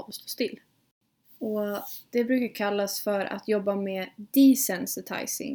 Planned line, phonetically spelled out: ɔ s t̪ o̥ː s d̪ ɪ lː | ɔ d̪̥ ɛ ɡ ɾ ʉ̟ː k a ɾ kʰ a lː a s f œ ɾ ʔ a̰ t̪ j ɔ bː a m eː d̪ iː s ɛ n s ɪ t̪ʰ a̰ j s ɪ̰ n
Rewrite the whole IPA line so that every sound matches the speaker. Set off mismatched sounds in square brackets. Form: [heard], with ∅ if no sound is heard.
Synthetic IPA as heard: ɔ s t̪ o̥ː s [t̪] ɪ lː | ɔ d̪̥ ɛ [b] ɾ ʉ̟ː k a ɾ kʰ a lː a s f œ ɾ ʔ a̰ t̪ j ɔ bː a m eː d̪ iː s ɛ n s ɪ t̪ʰ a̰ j s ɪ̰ [ŋ]